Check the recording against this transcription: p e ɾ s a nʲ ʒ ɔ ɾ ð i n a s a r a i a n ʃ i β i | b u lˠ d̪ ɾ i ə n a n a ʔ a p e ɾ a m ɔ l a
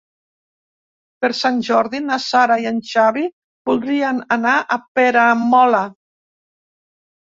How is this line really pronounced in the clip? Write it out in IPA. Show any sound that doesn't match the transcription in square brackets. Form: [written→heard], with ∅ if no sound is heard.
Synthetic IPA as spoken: p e ɾ s a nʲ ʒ ɔ ɾ ð i n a s a [r→ɾ] a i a n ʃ [i→a] β i | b u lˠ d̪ ɾ i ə n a n a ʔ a p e ɾ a m ɔ l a